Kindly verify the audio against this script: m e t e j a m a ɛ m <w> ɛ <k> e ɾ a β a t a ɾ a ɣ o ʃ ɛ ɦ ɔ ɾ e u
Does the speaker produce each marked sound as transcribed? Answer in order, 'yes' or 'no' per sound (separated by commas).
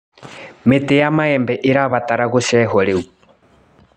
no, no